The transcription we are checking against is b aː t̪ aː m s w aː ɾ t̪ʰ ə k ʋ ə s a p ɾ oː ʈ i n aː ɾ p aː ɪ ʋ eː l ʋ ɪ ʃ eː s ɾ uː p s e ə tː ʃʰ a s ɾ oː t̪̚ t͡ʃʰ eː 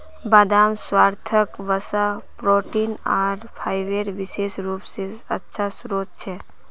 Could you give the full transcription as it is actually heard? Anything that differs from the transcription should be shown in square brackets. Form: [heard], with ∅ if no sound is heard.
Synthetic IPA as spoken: b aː [d̪] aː m s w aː ɾ t̪ʰ ə k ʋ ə s a p ɾ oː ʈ i n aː ɾ [pʰ] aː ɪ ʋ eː [ɾ] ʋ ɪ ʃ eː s ɾ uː p s e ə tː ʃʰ a s ɾ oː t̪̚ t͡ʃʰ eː